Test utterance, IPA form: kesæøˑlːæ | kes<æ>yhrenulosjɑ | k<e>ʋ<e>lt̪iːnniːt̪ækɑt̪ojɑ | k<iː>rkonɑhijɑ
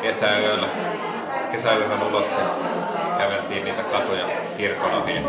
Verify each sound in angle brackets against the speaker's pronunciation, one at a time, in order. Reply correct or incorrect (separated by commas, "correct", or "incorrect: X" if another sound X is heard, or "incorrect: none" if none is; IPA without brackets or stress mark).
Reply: correct, incorrect: æ, correct, incorrect: i